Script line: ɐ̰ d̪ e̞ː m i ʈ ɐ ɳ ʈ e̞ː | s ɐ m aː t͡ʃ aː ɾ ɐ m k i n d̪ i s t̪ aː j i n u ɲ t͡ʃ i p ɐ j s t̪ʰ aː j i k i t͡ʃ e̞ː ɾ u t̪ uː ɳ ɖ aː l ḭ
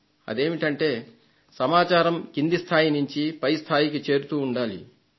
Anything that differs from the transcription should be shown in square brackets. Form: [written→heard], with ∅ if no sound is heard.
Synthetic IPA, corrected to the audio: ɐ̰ d̪ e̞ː m i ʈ ɐ ɳ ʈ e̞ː | s ɐ m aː t͡ʃ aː ɾ ɐ m k i n d̪ i s [t̪→t̪ʰ] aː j i n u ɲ t͡ʃ i p ɐ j s t̪ʰ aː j i k i t͡ʃ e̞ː ɾ u t̪ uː ɳ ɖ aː l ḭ